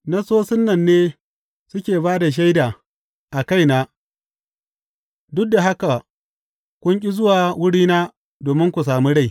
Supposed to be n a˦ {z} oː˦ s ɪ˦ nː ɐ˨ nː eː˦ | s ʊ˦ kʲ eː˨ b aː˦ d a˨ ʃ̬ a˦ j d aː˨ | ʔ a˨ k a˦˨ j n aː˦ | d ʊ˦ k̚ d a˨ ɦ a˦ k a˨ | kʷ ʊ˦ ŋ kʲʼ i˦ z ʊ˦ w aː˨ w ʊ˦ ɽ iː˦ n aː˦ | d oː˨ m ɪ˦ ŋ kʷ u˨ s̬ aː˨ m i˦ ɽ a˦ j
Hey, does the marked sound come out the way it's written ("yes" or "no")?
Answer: no